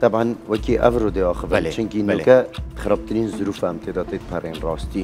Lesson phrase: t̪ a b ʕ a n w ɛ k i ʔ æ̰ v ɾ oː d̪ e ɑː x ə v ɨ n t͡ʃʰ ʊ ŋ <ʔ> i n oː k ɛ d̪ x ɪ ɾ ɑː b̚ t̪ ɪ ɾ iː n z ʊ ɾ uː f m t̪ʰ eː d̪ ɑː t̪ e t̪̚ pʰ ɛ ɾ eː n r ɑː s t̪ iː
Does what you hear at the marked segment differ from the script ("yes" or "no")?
yes